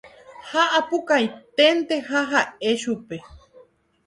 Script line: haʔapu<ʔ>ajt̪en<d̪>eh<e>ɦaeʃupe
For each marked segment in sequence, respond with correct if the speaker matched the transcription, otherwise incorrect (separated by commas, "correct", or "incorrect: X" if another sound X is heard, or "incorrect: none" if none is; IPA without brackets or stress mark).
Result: incorrect: k, incorrect: t̪, incorrect: a